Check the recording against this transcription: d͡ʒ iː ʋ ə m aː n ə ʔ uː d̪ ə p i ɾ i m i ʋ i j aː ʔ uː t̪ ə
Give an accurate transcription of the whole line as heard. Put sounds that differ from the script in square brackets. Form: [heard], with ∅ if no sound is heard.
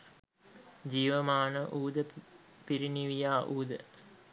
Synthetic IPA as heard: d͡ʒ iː ʋ ə m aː n ə ʔ uː d̪ ə p i ɾ i [n] i ʋ i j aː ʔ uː [d̪] ə